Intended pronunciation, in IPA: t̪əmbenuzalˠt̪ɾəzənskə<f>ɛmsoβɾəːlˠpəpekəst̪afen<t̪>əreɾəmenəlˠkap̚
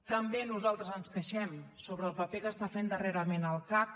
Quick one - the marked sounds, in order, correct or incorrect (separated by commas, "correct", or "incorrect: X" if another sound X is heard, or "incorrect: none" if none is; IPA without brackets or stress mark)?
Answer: incorrect: ʃ, incorrect: d̪